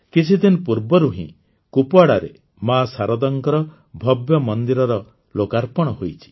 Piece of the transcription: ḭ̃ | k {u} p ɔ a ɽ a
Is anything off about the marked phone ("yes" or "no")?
no